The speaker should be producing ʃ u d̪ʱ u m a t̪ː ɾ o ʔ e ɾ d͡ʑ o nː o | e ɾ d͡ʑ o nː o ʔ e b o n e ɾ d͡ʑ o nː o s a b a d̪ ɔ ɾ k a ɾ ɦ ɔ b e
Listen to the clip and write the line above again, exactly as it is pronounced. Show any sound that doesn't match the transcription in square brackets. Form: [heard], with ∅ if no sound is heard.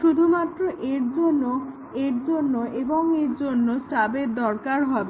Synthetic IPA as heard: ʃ u d̪ʱ u m a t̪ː ɾ o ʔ e ɾ d͡ʑ o nː o | e ɾ d͡ʑ o nː o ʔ e b o [ŋ] e ɾ d͡ʑ o nː o s a b [e] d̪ ɔ ɾ k a ɾ ɦ ɔ b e

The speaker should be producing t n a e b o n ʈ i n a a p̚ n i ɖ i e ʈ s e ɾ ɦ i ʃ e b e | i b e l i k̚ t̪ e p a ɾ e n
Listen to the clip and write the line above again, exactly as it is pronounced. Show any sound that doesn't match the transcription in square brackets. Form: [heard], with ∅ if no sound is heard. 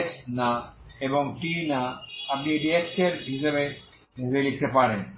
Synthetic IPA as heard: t n a e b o [ŋ] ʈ i n a a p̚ n i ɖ i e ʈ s e ɾ ɦ i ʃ e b e | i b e l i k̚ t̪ e p a ɾ e n

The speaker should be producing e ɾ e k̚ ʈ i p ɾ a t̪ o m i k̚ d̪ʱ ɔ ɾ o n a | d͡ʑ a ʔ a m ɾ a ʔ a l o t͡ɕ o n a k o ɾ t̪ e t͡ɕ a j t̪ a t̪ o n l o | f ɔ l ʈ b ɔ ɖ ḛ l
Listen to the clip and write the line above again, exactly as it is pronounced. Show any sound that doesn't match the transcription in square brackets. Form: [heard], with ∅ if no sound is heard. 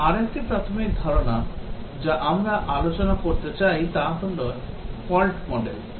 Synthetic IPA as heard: [a] ɾ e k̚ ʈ i p ɾ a [t̪ʰ] o m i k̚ d̪ʱ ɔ ɾ o n a | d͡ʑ a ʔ a m ɾ a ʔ a l o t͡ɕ o n a k o ɾ t̪ e t͡ɕ a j t̪ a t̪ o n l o | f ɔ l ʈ [m] ɔ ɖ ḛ l

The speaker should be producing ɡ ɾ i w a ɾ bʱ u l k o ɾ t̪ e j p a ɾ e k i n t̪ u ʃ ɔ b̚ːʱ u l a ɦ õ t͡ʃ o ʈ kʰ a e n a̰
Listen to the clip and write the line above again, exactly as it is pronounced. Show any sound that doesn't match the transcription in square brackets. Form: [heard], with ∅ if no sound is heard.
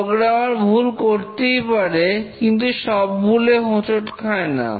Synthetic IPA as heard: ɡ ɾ [a] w a ɾ bʱ u l k o ɾ t̪ e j p a ɾ e k i n t̪ u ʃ ɔ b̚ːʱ u l [e] ɦ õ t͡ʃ o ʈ kʰ a e n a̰

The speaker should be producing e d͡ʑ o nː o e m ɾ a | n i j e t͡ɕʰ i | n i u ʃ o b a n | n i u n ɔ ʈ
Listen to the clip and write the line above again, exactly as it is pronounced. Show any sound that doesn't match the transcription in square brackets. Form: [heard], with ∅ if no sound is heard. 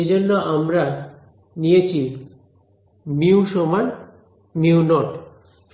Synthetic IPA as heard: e d͡ʑ o nː o [a] m ɾ a | n i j e t͡ɕʰ i | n i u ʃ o [m] a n | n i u n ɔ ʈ

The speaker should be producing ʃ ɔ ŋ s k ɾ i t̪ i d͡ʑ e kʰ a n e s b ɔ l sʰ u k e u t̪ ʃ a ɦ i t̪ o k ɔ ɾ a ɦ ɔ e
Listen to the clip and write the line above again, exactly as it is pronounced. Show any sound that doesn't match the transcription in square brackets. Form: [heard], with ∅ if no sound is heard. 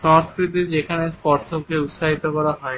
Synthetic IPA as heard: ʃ ɔ ŋ s k ɾ i t̪ i d͡ʑ e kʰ a n e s [p] ɔ [ɾ] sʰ [o] k e u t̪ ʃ a ɦ i t̪ o k ɔ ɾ a ɦ ɔ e

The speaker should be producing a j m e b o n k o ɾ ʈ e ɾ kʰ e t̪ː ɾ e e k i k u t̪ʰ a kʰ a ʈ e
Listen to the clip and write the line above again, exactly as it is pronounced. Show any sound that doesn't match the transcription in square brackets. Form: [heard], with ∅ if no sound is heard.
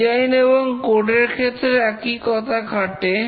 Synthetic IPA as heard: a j [n] e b o [ŋ] k o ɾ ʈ e ɾ kʰ e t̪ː ɾ e [ɛ] k i k [ɔ] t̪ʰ a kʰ a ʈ e

